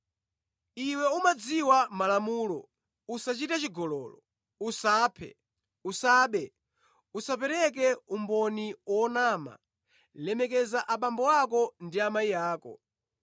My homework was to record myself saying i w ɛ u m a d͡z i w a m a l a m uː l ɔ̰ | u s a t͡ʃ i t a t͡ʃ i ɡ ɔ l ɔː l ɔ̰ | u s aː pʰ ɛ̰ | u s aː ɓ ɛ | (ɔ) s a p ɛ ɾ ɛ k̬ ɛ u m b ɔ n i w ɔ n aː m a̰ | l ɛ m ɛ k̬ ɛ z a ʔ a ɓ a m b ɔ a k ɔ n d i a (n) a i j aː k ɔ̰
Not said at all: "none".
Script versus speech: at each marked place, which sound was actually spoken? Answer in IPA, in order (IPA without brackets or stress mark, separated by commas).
u, m